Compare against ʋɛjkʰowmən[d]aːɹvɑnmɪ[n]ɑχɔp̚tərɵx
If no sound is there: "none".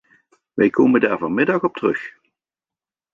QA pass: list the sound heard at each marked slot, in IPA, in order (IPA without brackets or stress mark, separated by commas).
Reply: d, d